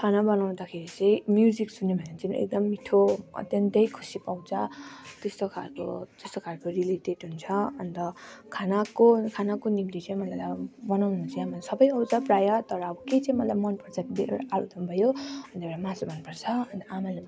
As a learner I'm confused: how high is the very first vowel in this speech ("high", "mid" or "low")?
low